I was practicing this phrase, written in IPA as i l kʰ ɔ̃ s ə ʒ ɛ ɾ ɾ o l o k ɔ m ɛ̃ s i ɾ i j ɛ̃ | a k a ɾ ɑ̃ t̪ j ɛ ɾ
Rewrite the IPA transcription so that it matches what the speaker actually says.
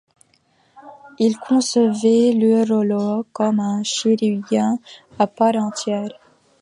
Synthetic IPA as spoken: i l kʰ ɔ̃ s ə v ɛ l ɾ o l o k ɔ m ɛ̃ ʃ i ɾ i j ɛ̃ | a p a ɾ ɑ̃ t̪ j ɛ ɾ